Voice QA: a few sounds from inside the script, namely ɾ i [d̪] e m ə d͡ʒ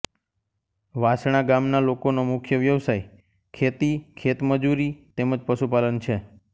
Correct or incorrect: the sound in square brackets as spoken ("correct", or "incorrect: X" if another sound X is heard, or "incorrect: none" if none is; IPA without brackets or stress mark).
incorrect: t̪